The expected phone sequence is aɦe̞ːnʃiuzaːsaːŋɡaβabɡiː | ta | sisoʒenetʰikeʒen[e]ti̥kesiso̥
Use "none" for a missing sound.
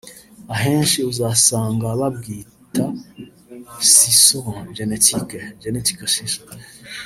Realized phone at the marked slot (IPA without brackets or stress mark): e